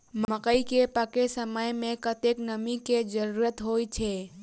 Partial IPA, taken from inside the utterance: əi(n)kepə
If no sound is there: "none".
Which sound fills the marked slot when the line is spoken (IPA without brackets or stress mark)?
none